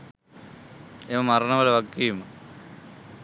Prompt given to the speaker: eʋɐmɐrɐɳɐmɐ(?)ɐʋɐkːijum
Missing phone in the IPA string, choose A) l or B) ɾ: A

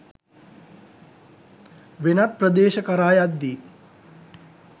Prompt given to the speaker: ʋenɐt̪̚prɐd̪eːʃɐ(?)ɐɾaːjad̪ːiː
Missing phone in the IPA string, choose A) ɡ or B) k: B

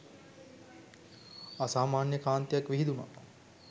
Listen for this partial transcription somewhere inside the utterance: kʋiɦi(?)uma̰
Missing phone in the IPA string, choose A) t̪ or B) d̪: B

